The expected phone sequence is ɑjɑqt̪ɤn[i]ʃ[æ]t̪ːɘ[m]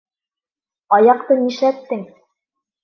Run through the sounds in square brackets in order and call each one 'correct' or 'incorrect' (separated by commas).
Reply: correct, correct, incorrect